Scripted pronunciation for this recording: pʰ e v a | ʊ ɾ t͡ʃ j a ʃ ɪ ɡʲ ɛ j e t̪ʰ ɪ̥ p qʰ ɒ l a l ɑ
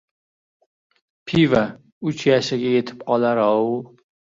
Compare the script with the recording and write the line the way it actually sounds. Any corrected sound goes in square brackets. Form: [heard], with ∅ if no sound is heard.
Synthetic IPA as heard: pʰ [i] v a | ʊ [∅] t͡ʃ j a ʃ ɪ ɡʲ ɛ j e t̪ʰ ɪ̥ p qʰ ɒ l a [ɾ] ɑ